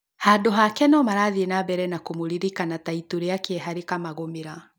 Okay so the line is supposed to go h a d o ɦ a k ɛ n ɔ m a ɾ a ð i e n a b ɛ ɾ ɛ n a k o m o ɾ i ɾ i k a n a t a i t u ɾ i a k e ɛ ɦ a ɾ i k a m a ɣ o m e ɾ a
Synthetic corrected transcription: h a d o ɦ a k ɛ n ɔ m a ɾ a ð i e n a b ɛ ɾ ɛ n a k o m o ɾ i ɾ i k a n a t a i t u ɾ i a k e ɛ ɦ a ɾ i k a m a ɣ o m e ɾ a